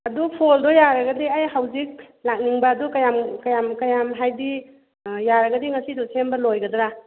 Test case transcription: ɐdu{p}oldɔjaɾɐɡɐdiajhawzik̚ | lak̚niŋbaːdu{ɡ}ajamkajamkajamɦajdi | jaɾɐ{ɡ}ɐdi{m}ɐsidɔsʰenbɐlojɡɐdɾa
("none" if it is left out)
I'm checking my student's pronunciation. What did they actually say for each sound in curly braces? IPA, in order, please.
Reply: pʰ, k, ɡ, ŋ

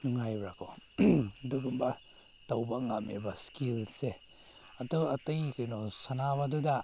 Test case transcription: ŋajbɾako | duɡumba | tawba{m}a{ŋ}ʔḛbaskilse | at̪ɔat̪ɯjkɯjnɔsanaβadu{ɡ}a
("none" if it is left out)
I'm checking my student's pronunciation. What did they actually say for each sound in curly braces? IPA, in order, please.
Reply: ŋ, m, d

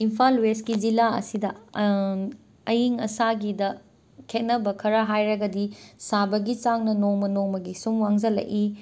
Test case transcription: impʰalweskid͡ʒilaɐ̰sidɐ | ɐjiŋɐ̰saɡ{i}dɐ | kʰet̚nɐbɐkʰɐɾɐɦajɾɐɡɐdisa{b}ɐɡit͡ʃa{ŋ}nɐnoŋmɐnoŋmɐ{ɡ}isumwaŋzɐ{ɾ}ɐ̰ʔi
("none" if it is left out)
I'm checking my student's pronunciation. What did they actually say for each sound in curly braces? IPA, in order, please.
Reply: i, b, ŋ, ɡ, l

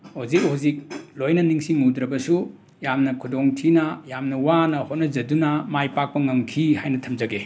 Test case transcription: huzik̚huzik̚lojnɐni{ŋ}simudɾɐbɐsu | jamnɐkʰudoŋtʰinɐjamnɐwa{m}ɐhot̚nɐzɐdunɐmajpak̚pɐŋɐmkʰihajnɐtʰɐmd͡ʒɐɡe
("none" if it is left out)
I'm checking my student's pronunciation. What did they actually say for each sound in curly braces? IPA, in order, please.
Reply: ŋ, n

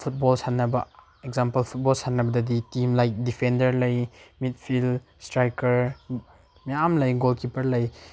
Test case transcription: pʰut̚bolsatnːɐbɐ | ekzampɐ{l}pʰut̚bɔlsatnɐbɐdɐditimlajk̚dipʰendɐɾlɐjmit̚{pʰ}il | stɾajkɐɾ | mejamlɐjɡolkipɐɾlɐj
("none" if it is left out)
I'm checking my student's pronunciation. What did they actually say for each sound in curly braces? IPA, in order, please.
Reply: l, pʰ

